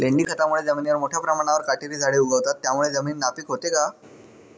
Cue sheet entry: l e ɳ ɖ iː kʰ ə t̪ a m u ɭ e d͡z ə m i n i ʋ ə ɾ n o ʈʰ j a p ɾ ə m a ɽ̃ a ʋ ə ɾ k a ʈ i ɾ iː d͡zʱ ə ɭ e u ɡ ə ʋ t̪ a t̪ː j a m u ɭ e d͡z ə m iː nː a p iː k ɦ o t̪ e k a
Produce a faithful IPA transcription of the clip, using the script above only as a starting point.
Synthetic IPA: l e ɳ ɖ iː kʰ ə t̪ a m u ɭ e d͡z ə m i n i ʋ ə ɾ m o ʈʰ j a p ɾ ə m a ɽ̃ a ʋ ə ɾ k a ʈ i ɾ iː d͡zʱ a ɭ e u ɡ ə ʋ t̪ a t̪ː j a m u ɭ e d͡z ə m iː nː a p iː k ɦ o t̪ e k a